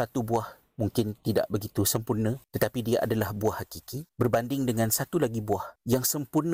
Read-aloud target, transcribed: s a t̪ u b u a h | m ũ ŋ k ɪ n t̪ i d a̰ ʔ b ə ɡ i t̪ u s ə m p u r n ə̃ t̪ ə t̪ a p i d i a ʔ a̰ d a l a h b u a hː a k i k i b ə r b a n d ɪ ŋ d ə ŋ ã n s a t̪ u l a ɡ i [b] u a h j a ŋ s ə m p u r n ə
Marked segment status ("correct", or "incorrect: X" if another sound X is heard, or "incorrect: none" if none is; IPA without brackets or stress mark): correct